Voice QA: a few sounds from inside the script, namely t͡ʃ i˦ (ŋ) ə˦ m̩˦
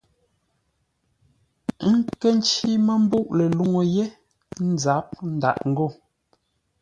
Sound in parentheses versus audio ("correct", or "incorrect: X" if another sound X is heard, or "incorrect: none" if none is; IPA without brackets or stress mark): incorrect: m